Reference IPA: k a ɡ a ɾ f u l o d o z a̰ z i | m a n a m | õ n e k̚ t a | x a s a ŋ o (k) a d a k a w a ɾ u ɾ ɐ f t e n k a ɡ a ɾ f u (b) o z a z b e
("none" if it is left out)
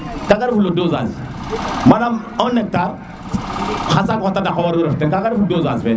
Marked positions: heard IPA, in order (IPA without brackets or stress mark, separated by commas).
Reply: t, d